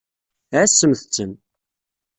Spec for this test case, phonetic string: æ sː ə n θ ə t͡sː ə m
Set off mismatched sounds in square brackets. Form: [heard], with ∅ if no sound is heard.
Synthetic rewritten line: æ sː ə [m] θ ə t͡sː ə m